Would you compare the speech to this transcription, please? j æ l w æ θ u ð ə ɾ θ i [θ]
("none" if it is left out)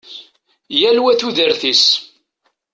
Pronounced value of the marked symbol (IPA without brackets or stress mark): s